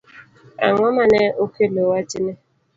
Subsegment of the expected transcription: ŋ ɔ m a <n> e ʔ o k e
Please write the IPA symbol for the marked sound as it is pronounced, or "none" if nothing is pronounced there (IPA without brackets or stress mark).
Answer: n